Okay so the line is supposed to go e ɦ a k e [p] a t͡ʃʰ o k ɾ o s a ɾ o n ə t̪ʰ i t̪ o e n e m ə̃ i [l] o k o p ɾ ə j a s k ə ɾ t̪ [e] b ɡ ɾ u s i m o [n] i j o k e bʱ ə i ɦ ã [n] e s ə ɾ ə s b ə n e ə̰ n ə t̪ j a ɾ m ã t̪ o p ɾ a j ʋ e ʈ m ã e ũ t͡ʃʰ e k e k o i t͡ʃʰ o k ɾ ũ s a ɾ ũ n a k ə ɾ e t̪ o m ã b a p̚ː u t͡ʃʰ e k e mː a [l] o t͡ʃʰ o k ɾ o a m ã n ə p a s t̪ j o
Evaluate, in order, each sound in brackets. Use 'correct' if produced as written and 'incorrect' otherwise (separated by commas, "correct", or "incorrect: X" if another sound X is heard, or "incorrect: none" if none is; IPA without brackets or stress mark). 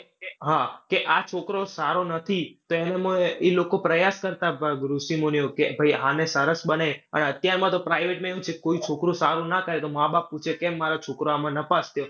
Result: incorrect: ʔ, correct, incorrect: a, correct, correct, incorrect: ɾ